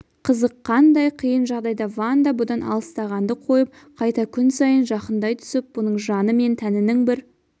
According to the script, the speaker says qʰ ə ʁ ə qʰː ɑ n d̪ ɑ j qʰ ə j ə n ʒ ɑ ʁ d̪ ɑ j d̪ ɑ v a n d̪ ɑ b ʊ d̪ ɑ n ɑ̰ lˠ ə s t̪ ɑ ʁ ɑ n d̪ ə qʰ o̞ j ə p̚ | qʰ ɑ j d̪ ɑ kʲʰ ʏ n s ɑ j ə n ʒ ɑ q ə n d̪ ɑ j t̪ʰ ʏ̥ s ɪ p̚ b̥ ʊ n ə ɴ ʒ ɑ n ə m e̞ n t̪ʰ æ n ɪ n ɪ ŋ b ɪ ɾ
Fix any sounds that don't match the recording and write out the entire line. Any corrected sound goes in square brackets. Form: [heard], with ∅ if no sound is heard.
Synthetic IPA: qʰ ə [z] ə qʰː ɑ n d̪ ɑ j qʰ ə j ə n ʒ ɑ ʁ d̪ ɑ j d̪ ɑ v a n d̪ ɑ b ʊ d̪ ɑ n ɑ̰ lˠ ə s t̪ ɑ ʁ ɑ n d̪ ə qʰ o̞ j ə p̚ | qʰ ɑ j [t̪] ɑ kʲʰ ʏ n s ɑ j ə n ʒ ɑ q ə n d̪ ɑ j t̪ʰ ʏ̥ s ɪ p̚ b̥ ʊ n ə ɴ ʒ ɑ n ə m e̞ n t̪ʰ æ n ɪ n ɪ ŋ b ɪ ɾ